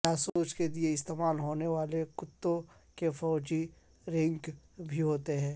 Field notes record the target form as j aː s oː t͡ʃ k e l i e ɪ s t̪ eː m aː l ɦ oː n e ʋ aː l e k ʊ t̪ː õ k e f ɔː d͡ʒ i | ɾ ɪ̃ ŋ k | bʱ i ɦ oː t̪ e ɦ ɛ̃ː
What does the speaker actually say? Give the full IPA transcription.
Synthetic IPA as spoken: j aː s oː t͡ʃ k e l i e ɪ s t̪ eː m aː l ɦ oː n e ʋ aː l e k ʊ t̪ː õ k e f ɔː d͡ʒ i | ɾ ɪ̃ ŋ k | bʱ i ɦ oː t̪ e ɦ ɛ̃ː